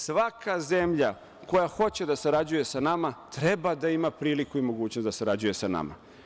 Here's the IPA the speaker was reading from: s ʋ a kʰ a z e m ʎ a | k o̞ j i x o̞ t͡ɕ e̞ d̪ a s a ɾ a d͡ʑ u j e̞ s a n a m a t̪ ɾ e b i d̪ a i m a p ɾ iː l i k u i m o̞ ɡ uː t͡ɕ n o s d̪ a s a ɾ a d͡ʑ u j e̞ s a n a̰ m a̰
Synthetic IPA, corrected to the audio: s ʋ a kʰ a z e m ʎ a | k o̞ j a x o̞ t͡ɕ e̞ d̪ a s a ɾ a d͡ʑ u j e̞ s a n a m a t̪ ɾ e b a d̪ a i m a p ɾ iː l i k u i m o̞ ɡ uː t͡ɕ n o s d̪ a s a ɾ a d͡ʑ u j e̞ s a n a̰ m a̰